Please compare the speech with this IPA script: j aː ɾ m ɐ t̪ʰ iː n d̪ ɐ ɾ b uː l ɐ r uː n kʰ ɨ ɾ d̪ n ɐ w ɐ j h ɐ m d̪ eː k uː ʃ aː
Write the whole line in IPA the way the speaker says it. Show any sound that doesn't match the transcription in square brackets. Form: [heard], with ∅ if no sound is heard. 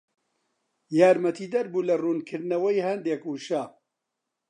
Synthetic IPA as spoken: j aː ɾ m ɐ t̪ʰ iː [∅] d̪ ɐ ɾ b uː l ɐ r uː n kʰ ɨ ɾ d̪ n ɐ w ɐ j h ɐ [n] d̪ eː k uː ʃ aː